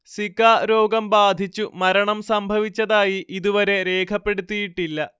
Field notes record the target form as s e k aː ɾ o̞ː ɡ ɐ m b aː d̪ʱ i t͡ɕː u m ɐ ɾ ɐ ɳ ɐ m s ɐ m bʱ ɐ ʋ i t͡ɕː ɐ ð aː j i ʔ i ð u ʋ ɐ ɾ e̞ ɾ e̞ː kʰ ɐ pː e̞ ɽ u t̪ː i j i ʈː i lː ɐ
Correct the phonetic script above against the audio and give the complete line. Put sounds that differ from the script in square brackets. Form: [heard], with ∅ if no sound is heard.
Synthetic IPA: s [i] k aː ɾ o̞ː ɡ ɐ m b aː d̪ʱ i t͡ɕː u m ɐ ɾ ɐ ɳ ɐ m s ɐ m bʱ ɐ ʋ i t͡ɕː ɐ ð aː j i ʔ i ð u ʋ ɐ ɾ e̞ ɾ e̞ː kʰ ɐ pː e̞ ɽ u t̪ː i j i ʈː i lː ɐ